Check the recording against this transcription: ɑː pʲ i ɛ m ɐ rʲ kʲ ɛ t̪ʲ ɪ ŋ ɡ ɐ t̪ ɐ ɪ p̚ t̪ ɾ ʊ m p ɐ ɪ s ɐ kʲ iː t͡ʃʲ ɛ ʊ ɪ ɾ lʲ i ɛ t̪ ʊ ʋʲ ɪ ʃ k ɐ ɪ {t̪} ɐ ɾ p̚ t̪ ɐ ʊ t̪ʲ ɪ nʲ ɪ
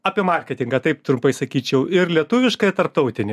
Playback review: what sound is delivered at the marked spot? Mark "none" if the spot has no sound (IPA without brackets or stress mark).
t̪